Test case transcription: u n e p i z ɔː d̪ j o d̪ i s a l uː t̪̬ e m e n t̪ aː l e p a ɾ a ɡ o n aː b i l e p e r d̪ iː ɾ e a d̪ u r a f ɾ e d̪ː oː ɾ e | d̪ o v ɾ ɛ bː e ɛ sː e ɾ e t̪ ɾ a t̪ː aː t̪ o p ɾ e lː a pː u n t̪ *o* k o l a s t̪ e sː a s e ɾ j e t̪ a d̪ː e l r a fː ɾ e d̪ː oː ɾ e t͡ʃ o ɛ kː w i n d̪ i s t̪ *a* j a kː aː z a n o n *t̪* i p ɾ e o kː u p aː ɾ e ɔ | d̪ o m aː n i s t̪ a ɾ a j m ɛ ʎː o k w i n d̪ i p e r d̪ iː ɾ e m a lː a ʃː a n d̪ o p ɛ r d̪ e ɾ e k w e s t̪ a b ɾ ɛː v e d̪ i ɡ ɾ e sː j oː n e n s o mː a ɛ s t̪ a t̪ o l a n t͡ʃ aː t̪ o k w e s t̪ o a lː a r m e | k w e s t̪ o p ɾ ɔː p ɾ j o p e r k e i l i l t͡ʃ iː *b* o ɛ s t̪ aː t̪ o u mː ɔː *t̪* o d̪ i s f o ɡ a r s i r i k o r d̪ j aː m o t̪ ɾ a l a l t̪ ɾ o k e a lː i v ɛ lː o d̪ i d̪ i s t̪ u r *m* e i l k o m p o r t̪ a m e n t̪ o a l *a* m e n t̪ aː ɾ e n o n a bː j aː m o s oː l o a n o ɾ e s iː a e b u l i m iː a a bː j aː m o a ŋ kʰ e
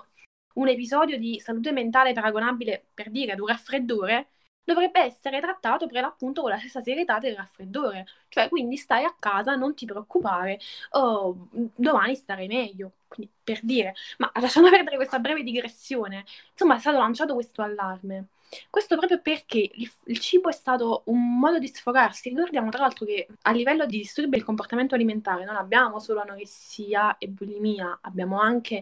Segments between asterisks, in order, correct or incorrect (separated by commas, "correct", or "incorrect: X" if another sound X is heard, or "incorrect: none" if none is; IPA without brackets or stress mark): correct, correct, correct, correct, incorrect: d̪, incorrect: b, incorrect: i